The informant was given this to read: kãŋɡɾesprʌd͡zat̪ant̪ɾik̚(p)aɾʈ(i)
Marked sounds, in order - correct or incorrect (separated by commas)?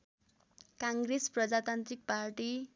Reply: correct, correct